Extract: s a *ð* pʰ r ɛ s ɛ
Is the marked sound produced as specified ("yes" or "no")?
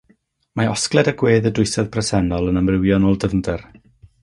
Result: yes